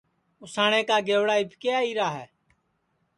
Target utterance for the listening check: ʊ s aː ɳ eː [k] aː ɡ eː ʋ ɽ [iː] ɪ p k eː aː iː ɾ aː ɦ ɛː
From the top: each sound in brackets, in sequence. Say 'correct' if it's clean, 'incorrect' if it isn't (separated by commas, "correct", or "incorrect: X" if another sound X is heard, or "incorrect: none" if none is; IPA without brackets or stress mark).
correct, incorrect: aː